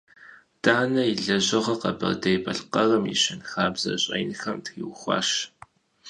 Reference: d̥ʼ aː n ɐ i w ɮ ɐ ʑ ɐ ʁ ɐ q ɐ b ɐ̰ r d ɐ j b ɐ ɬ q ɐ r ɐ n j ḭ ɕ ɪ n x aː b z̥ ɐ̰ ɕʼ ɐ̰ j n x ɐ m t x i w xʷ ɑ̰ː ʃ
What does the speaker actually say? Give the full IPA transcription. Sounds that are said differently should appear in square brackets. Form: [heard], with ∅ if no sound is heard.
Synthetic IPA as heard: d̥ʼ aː n ɐ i [∅] ɮ ɐ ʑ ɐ ʁ ɐ q ɐ b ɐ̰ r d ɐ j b ɐ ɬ q ɐ r ɐ [m] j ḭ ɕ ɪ n x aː b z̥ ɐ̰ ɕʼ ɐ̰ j n x ɐ m t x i w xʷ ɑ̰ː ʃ